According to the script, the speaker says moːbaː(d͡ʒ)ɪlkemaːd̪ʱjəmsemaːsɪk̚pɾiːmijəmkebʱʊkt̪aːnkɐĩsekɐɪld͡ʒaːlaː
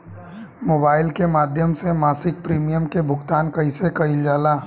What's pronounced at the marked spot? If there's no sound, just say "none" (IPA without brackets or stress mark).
none